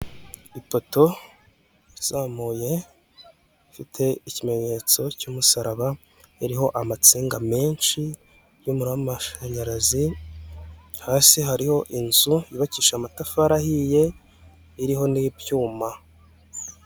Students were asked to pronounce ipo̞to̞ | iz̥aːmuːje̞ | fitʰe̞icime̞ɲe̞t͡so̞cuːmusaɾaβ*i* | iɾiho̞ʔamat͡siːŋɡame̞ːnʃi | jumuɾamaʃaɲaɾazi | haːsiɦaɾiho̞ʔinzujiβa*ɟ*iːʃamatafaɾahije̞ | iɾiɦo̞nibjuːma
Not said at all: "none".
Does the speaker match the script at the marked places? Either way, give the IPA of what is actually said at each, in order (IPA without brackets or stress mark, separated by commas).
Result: a, c